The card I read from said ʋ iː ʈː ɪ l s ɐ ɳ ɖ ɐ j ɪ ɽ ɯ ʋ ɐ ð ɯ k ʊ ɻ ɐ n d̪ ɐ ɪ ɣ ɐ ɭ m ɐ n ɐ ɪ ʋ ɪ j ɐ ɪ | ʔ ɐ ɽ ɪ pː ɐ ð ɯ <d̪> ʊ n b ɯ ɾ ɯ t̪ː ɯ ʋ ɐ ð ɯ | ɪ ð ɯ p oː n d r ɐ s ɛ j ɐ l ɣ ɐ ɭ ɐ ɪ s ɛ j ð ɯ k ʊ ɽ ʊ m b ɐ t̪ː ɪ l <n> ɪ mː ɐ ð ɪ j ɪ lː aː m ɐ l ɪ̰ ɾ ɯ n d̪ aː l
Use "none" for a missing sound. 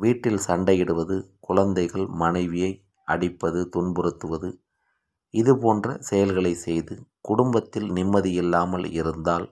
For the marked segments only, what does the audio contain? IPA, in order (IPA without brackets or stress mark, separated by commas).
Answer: t̪, n